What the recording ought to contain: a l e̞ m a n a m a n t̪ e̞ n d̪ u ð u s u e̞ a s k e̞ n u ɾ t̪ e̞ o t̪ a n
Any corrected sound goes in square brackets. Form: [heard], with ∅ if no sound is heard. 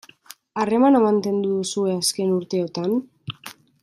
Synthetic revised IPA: a [r] e̞ m a n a m a n t̪ e̞ n d̪ u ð u s u e̞ a s k e̞ n u ɾ t̪ e̞ o t̪ a n